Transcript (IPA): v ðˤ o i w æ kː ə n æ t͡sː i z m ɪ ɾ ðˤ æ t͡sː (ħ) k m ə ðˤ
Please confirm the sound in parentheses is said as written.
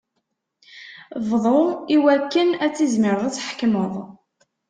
yes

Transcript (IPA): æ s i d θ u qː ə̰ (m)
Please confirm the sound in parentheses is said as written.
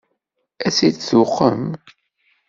yes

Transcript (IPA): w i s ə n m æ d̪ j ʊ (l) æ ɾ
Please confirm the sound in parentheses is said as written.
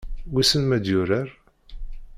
no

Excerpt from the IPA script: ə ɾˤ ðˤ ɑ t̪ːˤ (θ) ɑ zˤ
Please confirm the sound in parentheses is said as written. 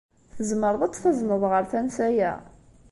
yes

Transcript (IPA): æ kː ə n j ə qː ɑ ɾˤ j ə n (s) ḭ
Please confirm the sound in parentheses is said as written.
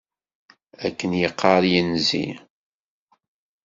no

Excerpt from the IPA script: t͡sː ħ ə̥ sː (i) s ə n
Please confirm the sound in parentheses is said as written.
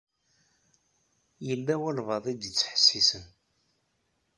yes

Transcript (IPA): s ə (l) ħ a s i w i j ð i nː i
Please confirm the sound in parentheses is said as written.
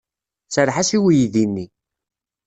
no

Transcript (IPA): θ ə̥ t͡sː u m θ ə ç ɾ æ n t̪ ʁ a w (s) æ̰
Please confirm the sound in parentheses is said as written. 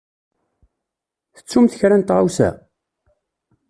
yes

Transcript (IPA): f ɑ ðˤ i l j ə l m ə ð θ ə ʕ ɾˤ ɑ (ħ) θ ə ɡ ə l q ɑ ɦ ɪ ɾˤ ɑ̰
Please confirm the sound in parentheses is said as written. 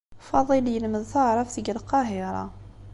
no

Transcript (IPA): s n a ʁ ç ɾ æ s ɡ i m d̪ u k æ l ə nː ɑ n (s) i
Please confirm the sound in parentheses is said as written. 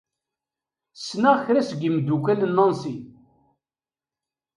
yes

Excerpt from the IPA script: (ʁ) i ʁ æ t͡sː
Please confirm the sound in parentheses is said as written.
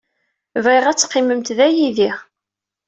no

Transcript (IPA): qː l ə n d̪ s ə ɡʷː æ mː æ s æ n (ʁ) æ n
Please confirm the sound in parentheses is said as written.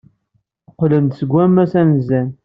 no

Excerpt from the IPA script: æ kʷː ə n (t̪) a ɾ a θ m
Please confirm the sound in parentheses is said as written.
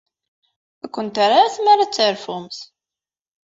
yes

